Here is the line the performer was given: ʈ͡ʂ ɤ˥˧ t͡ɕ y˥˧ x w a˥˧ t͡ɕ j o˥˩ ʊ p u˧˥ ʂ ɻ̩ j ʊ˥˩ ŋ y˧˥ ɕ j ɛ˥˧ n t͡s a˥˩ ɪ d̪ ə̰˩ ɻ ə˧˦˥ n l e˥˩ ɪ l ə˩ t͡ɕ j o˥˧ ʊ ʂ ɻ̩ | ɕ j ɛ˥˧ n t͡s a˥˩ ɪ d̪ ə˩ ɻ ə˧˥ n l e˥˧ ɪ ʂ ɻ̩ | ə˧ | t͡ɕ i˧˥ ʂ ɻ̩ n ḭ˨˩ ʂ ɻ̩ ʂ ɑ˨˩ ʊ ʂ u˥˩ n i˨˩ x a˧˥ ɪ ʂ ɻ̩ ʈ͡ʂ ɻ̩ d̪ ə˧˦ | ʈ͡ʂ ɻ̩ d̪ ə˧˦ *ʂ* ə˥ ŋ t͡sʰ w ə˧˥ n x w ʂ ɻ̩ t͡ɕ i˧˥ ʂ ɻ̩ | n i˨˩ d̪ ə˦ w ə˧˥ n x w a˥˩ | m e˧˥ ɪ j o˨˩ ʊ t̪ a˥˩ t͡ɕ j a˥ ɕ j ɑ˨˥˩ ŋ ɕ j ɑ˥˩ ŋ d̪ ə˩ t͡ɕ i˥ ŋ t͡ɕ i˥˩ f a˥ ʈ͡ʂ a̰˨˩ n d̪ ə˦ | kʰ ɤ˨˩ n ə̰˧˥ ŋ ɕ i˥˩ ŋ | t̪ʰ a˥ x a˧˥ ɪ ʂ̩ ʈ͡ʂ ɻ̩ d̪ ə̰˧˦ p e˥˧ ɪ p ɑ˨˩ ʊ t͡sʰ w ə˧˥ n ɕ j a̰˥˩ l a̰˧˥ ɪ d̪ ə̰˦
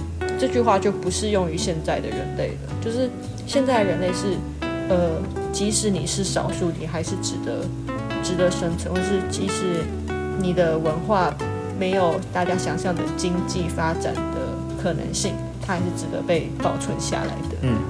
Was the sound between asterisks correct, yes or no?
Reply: yes